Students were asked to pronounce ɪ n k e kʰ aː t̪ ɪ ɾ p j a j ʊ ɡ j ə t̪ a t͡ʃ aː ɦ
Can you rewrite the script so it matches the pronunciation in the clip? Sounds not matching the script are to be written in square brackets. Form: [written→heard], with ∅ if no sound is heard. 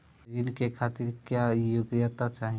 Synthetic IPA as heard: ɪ n k e kʰ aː t̪ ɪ ɾ [p→k] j a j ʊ ɡ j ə t̪ a t͡ʃ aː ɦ